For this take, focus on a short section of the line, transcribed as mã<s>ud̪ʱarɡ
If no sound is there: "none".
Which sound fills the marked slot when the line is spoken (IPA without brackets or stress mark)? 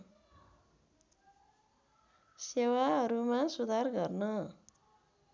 s